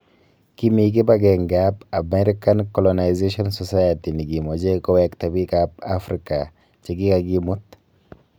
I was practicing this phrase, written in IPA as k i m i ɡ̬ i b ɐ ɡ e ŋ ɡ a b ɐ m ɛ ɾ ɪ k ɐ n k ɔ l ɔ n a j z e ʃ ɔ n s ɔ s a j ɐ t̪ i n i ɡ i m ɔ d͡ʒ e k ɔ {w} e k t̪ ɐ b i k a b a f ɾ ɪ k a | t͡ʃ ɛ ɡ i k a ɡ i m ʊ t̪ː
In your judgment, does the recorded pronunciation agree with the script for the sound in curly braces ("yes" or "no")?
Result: yes